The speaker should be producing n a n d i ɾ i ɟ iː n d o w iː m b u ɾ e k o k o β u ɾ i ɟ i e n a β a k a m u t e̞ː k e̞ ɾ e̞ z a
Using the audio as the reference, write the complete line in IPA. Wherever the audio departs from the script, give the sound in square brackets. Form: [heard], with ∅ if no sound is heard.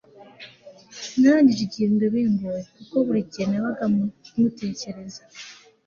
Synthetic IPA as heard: n a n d i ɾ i ɟ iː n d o [β] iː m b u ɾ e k [u] k o β u ɾ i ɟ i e n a β a [ɡ] a m u t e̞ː [c] e̞ ɾ e̞ z a